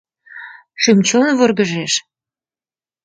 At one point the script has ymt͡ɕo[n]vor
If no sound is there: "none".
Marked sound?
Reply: n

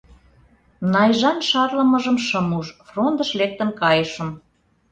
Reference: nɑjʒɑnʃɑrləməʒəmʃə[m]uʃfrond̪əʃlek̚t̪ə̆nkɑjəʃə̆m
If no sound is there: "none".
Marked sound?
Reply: m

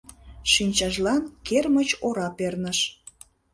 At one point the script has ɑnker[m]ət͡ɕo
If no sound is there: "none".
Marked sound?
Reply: m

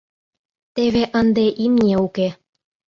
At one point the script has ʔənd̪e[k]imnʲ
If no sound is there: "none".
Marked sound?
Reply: ʔ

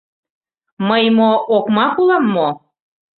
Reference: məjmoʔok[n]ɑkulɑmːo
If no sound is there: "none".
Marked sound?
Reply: m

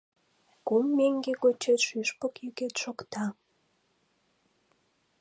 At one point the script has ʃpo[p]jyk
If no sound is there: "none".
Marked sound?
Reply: k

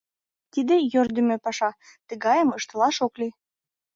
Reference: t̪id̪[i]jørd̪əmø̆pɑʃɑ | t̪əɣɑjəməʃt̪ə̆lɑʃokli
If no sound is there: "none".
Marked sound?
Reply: e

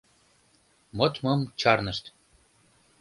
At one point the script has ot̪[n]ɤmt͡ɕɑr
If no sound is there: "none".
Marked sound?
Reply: m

